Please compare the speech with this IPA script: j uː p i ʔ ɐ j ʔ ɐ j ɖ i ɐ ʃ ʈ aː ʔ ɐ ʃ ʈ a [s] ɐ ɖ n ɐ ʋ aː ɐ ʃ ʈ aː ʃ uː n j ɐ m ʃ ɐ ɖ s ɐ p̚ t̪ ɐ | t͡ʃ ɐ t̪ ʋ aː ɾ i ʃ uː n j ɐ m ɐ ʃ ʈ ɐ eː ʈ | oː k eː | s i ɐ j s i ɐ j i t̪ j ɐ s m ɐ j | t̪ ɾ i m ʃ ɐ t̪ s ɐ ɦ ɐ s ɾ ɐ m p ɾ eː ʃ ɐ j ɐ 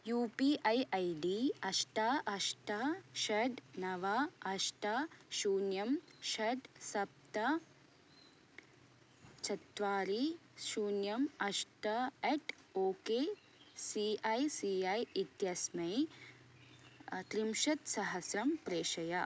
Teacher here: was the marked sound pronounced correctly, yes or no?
no